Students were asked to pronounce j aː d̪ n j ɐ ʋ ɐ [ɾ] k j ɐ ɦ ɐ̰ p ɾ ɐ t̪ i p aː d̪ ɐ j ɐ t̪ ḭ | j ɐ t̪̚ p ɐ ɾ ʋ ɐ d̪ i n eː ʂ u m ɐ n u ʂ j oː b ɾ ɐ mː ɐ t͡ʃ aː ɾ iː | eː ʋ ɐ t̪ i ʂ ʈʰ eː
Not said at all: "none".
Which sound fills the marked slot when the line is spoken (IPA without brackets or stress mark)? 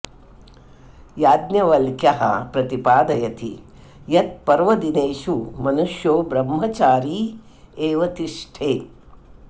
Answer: l